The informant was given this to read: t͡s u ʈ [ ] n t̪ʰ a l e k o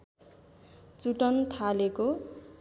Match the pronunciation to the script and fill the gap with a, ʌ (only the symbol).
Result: ʌ